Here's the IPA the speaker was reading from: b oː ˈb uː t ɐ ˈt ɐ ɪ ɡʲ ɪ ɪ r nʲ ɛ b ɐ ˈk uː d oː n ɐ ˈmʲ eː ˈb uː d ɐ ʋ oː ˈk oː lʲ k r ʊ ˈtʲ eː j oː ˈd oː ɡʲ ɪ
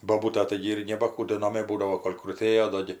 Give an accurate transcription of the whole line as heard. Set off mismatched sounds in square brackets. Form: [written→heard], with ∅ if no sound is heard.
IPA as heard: b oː ˈb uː t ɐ ˈt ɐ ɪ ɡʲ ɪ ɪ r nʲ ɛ b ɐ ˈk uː d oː n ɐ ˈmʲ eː ˈb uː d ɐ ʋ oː ˈk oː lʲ k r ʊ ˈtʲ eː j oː ˈd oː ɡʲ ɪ